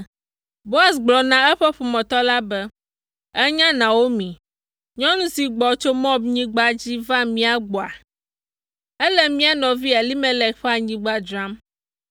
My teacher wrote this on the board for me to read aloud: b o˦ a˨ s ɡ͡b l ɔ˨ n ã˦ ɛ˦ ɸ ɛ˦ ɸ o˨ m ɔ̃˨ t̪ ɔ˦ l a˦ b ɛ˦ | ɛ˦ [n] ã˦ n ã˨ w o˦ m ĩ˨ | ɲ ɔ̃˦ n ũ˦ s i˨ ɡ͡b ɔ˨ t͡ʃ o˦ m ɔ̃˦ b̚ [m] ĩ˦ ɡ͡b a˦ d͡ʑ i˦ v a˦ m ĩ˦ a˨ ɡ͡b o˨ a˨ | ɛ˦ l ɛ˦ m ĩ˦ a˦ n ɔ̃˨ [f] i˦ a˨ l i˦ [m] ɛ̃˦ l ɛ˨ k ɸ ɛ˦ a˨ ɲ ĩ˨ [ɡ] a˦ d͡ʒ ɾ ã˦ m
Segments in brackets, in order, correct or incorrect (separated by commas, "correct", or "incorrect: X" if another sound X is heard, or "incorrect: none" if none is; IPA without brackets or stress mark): incorrect: ɲ, incorrect: ɲ, incorrect: v, correct, incorrect: ɡ͡b